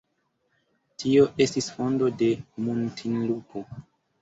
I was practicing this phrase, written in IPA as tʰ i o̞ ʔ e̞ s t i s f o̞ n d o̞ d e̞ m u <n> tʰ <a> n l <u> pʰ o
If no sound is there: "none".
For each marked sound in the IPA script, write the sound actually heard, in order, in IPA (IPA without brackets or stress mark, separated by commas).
n, i, u